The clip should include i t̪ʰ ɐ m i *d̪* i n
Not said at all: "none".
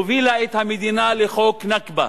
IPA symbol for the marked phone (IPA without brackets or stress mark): d̪